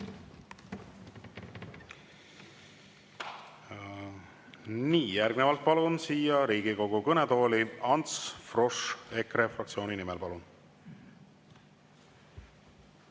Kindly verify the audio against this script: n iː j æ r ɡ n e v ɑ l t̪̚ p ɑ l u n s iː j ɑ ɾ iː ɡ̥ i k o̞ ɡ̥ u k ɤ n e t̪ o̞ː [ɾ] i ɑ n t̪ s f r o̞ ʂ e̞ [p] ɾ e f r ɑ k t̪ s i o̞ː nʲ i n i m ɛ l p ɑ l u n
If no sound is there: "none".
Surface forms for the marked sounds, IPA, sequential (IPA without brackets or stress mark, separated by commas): l, k